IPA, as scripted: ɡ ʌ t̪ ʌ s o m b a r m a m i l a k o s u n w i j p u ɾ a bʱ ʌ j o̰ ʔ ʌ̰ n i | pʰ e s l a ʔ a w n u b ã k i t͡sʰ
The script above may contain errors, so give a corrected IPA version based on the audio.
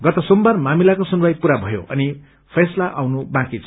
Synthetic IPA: ɡ ʌ t̪ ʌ s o m b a r m a m i l a k o s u n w a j p u ɾ a bʱ ʌ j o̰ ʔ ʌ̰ n i | pʰ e s l a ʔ a w n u b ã k i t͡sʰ